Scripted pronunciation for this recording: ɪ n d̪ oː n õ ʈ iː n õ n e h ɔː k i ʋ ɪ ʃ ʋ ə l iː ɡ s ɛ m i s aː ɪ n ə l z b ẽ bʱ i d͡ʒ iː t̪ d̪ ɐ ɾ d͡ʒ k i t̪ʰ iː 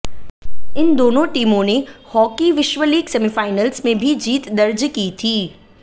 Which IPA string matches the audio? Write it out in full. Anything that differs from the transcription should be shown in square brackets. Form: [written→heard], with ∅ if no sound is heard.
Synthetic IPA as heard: ɪ n d̪ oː n õ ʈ iː [n→m] õ n e h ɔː k i ʋ ɪ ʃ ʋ ə l iː ɡ s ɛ m i [s→f] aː ɪ n ə l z [b→m] ẽ bʱ i d͡ʒ iː t̪ d̪ ɐ ɾ d͡ʒ k i t̪ʰ iː